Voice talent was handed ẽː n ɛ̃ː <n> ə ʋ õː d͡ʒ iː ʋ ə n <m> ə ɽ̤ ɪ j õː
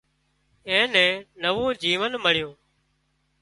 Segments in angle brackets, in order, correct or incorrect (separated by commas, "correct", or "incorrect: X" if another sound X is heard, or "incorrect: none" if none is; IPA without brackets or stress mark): correct, correct